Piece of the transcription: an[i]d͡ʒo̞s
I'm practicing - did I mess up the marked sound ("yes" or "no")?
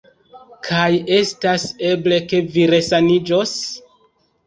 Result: no